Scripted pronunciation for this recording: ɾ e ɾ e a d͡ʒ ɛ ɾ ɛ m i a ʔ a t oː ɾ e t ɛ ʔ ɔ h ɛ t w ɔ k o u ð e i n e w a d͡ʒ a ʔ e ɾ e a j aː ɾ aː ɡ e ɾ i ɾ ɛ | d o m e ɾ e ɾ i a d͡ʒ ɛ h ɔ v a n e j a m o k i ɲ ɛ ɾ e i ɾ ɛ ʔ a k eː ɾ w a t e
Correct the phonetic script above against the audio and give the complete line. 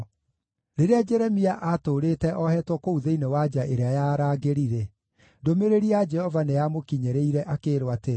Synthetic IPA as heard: ɾ e ɾ e a d͡ʒ ɛ ɾ ɛ m i a ʔ a t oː ɾ e t ɛ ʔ ɔ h ɛ t w ɔ k o u ð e i n e w a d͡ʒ a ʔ e ɾ e a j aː ɾ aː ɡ e ɾ i ɾ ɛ | d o m e ɾ e ɾ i a d͡ʒ ɛ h ɔ v a n e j a m o k i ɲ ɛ ɾ e i ɾ ɛ ʔ a k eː ɾ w a t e

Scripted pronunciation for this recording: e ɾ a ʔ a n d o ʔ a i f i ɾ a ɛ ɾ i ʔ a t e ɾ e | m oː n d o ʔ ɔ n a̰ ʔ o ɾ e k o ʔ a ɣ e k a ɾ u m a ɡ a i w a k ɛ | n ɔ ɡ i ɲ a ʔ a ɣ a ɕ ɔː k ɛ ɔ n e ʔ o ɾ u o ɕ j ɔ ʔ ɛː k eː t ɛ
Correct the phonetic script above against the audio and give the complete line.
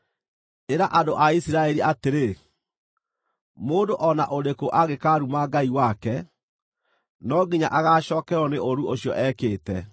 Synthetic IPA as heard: e ɾ a ʔ a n d o ʔ a i s i ɾ a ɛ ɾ i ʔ a t e ɾ e | m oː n d o ʔ ɔ n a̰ ʔ o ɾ e k o ʔ a ɣ e k a ɾ u m a ɡ a i w a k ɛ | n ɔ ɡ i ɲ a ʔ a ɣ a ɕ ɔː k ɛ ɔ n e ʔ o ɾ u o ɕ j ɔ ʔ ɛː k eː t ɛ

